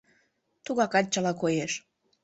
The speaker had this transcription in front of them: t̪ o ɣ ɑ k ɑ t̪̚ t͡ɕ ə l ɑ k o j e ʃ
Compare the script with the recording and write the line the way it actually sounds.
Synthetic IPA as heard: t̪ u ɣ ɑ k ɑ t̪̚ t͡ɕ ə l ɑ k o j e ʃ